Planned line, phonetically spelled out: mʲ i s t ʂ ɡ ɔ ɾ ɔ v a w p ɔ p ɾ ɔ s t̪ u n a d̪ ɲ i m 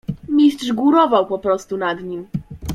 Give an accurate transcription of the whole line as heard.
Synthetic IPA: mʲ i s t ʂ ɡ u ɾ ɔ v a w p ɔ p ɾ ɔ s t̪ u n a d̪ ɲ i m